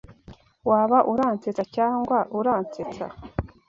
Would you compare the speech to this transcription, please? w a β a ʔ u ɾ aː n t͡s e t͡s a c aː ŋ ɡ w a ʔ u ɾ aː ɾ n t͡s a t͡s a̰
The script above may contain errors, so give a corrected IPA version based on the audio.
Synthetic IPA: w a β a ʔ u ɾ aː n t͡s e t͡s a c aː ŋ ɡ w a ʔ u ɾ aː n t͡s e t͡s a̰